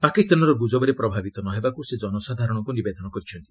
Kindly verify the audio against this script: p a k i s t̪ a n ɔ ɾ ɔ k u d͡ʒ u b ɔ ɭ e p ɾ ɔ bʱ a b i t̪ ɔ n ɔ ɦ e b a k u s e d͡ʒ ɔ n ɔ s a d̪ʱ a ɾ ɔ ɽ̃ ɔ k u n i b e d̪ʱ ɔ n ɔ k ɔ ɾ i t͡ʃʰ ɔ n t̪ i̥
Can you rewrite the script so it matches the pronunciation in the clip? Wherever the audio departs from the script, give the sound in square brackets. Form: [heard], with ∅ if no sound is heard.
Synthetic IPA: p a k i s t̪ a n ɔ ɾ ɔ [ɡ] u d͡ʒ [ɔ] b ɔ [ɾ] e p ɾ ɔ bʱ a b i t̪ ɔ n ɔ ɦ e b a k u s e d͡ʒ ɔ n ɔ s a d̪ʱ a ɾ ɔ ɽ̃ ɔ k u n i b e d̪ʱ ɔ n ɔ k ɔ ɾ i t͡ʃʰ ɔ n t̪ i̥

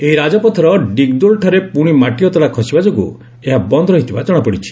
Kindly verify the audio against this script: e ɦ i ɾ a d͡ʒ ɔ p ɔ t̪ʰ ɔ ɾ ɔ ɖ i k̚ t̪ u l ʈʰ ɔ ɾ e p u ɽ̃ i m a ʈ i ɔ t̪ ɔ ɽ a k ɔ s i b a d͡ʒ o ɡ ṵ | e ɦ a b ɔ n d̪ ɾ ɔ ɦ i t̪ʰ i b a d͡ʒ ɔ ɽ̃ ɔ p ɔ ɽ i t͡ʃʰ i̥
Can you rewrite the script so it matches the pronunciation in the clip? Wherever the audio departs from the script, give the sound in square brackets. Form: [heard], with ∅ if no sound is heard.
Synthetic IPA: e ɦ i ɾ a d͡ʒ ɔ p ɔ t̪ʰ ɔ ɾ ɔ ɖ i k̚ [d̪] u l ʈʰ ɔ ɾ e p u ɽ̃ i m a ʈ i ɔ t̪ ɔ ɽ a [kʰ] ɔ s i b a d͡ʒ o ɡ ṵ | e ɦ a b ɔ n d̪ ɾ ɔ ɦ i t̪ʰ i b a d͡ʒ ɔ ɽ̃ ɔ p ɔ ɽ i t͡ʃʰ i̥

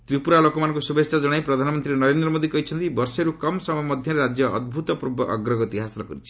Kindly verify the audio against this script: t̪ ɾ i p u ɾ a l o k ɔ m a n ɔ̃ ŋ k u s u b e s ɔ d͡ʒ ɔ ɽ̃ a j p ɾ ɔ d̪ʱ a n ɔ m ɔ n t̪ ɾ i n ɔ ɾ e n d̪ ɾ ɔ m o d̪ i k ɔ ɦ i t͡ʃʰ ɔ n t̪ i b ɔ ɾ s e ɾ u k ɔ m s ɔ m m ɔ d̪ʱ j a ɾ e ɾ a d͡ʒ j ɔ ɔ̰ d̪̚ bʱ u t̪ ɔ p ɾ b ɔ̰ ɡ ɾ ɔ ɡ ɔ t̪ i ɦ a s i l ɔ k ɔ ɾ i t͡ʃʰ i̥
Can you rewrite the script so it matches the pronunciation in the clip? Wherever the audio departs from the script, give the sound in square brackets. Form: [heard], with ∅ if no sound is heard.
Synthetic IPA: t̪ ɾ i p u ɾ a l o k ɔ m a n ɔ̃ ŋ k u s u b e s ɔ d͡ʒ ɔ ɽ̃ a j p ɾ ɔ d̪ʱ a n ɔ m ɔ n t̪ ɾ i n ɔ ɾ e n d̪ ɾ ɔ m o d̪ i k ɔ ɦ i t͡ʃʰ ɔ n t̪ i b ɔ ɾ s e ɾ u k ɔ m s ɔ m m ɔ d̪ʱ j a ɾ e ɾ a d͡ʒ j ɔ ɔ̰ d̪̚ bʱ u t̪ ɔ p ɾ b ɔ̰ ɡ ɾ ɔ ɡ ɔ t̪ i ɦ a s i l ɔ k ɔ ɾ i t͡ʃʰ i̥

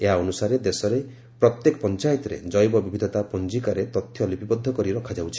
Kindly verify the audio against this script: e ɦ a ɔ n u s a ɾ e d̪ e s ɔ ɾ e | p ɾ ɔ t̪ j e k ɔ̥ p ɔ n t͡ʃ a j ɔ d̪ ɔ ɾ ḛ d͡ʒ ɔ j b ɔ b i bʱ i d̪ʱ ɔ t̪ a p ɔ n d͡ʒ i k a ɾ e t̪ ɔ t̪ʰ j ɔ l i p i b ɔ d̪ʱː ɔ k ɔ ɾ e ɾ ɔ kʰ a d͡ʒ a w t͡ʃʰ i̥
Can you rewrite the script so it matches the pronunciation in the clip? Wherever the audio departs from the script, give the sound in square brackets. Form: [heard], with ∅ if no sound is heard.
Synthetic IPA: e ɦ a ɔ n u s a ɾ e d̪ e s ɔ ɾ e | p ɾ ɔ t̪ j e k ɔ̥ p ɔ n t͡ʃ a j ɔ [t̪] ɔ ɾ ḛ d͡ʒ ɔ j b ɔ b i bʱ i d̪ʱ ɔ t̪ a p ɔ n d͡ʒ i k a ɾ e t̪ ɔ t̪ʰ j ɔ l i p i b ɔ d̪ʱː ɔ k ɔ ɾ [i] ɾ ɔ kʰ a d͡ʒ a w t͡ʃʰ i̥

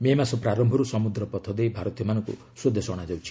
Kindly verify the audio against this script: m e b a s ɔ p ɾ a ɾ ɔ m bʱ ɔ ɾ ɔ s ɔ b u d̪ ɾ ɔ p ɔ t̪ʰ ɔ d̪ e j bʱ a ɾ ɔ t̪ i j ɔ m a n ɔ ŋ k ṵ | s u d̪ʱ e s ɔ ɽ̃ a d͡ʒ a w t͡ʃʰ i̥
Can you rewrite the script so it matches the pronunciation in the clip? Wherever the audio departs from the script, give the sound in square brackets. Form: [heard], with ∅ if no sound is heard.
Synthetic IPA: m e [m] a s ɔ p ɾ a ɾ ɔ m bʱ ɔ ɾ [u] s ɔ [m] u d̪ ɾ ɔ p ɔ t̪ʰ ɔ d̪ e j bʱ a ɾ ɔ t̪ i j ɔ m a n ɔ ŋ k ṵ | s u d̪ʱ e s ɔ ɽ̃ a d͡ʒ a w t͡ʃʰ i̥

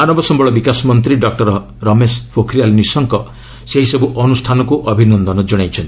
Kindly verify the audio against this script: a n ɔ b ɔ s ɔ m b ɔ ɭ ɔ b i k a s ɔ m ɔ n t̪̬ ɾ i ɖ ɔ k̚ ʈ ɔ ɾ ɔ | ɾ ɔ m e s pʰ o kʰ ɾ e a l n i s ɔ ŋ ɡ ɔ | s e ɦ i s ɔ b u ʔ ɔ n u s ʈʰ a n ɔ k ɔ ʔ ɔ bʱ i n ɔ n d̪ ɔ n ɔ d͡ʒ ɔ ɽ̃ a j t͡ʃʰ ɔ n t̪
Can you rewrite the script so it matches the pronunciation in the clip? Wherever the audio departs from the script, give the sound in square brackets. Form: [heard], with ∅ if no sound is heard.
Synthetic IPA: a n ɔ b ɔ s ɔ m b ɔ ɭ ɔ b i k a s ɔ m ɔ n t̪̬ ɾ i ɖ ɔ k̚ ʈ ɔ ɾ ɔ | ɾ ɔ m e s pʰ o kʰ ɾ [i] a l n i s ɔ ŋ [k] ɔ | s e ɦ i s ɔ b u ʔ ɔ n u s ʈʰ a n ɔ k [u] ʔ ɔ bʱ i n ɔ n d̪ ɔ n ɔ d͡ʒ ɔ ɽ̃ a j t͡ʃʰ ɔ n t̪

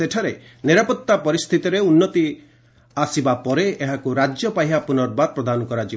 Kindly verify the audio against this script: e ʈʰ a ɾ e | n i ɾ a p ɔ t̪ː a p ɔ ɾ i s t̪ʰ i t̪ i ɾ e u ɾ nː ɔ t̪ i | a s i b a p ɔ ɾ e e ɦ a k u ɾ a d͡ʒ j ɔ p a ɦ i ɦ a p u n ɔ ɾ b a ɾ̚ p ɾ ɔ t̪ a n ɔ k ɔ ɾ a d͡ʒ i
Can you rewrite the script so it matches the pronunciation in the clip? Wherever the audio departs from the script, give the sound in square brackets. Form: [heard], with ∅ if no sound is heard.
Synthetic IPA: e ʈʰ a ɾ e | n i ɾ a p ɔ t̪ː a p ɔ ɾ i s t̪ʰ i t̪ i ɾ e u [∅] nː ɔ t̪ i | a s i b a p ɔ ɾ e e ɦ a k u ɾ a d͡ʒ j ɔ p a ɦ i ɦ a p u n ɔ ɾ b a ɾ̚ p ɾ ɔ [d̪] a n ɔ k ɔ ɾ a d͡ʒ i

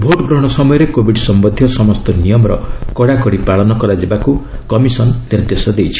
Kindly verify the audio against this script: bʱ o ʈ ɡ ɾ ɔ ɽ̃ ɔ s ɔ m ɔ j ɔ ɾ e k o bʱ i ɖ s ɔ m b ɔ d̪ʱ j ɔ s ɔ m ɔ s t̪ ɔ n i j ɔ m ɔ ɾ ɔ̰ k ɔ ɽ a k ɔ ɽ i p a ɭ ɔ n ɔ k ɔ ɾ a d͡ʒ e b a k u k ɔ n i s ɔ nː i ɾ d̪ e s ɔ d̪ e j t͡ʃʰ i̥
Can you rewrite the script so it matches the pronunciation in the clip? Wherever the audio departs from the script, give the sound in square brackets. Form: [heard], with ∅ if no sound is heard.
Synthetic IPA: bʱ o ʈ ɡ ɾ ɔ ɽ̃ ɔ s ɔ m ɔ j ɔ ɾ e k o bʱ i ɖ s ɔ m b ɔ d̪ʱ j ɔ s ɔ m ɔ s t̪ ɔ n i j ɔ m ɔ ɾ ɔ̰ k ɔ ɽ a k ɔ ɽ i p a ɭ ɔ n ɔ k ɔ ɾ a d͡ʒ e b a k u k ɔ [m] i s ɔ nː i ɾ d̪ e s ɔ d̪ e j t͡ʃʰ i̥

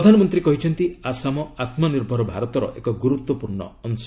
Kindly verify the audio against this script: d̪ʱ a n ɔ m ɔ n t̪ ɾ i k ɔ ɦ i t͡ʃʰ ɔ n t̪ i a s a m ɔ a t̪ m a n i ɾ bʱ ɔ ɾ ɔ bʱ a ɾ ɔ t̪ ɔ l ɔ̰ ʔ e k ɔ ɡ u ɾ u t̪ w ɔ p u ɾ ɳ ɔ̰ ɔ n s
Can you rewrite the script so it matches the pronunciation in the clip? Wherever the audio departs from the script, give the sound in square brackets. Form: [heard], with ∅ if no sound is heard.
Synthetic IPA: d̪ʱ a n ɔ m ɔ n t̪ ɾ i k ɔ ɦ i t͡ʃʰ ɔ n t̪ i a s a m ɔ a t̪ m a n i ɾ bʱ ɔ ɾ ɔ bʱ a ɾ ɔ t̪ ɔ [ɾ] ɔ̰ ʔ e k ɔ ɡ u ɾ u t̪ w ɔ p u ɾ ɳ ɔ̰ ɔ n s

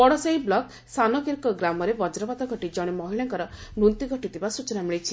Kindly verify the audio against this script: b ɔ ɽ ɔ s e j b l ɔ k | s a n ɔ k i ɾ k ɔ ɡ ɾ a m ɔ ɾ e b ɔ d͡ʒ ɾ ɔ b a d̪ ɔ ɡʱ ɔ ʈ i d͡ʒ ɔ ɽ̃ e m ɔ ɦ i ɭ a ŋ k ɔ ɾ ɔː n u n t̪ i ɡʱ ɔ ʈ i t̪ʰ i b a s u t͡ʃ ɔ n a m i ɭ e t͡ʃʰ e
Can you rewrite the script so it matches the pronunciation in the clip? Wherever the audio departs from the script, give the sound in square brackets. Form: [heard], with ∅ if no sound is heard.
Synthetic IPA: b ɔ ɽ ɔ s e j b l ɔ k | s a n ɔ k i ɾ k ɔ ɡ ɾ a m ɔ ɾ e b ɔ d͡ʒ ɾ ɔ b a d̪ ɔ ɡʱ ɔ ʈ i d͡ʒ ɔ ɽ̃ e m ɔ ɦ i ɭ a ŋ k ɔ ɾ [ɔ] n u n t̪ i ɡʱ ɔ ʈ i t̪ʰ i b a s u t͡ʃ ɔ n a m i ɭ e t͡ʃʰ [i]

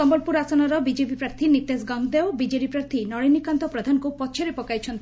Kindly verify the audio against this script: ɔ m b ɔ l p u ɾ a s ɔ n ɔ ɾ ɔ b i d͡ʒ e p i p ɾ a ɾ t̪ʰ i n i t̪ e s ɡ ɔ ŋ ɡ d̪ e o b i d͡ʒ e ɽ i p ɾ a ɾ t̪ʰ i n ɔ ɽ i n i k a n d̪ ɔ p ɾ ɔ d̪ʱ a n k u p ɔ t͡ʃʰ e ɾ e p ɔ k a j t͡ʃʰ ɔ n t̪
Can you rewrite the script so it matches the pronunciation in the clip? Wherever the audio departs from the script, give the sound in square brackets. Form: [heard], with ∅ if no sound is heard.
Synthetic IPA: ɔ m b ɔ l p u ɾ a s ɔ n ɔ ɾ ɔ b i d͡ʒ e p i p ɾ a ɾ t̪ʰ i n i t̪ e s ɡ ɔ ŋ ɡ d̪ e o b i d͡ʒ e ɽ i p ɾ a ɾ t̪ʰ i n ɔ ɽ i n i k a n [t̪] ɔ p ɾ ɔ d̪ʱ a n k u p ɔ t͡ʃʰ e ɾ e p ɔ k a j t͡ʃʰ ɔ n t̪

